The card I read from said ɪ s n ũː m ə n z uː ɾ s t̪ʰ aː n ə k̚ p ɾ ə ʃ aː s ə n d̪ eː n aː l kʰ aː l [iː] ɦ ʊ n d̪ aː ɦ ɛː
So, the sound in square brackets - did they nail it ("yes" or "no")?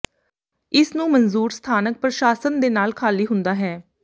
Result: yes